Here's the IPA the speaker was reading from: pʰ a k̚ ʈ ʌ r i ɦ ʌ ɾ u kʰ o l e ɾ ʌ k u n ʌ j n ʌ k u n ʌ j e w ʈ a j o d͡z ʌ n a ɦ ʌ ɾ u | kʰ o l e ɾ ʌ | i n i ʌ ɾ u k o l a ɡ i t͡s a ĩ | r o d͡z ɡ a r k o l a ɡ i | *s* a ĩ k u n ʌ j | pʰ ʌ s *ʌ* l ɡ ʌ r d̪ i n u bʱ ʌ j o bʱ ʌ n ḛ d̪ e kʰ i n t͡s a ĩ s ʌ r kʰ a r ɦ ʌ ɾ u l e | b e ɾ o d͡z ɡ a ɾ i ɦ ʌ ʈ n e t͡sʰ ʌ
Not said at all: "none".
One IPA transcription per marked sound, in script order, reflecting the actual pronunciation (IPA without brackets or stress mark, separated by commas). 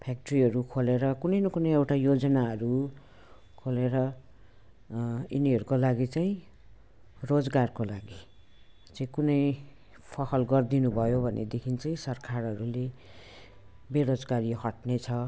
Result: t͡s, ʌ